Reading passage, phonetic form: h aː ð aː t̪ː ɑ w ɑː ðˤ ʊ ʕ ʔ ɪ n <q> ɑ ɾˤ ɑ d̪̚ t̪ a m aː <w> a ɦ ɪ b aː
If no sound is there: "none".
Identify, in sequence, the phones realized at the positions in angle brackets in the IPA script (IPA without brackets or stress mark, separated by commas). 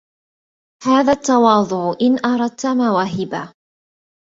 ʔ, w